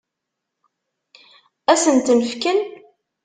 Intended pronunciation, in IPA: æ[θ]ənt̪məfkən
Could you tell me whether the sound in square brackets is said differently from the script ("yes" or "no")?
yes